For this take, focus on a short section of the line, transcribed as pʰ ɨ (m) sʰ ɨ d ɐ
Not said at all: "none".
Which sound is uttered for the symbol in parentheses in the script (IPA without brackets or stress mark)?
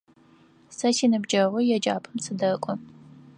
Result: m